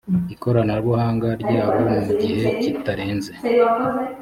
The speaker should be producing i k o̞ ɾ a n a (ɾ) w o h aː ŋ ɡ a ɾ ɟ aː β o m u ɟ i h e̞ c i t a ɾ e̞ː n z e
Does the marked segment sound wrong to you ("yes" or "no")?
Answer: no